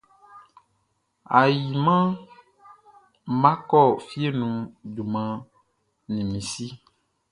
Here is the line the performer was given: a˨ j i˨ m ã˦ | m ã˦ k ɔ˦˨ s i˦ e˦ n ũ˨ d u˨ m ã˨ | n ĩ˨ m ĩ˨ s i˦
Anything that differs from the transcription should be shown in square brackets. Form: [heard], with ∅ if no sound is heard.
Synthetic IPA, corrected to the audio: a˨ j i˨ m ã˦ | m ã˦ k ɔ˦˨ [f] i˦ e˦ n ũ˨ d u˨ m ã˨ | n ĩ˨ m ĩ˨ s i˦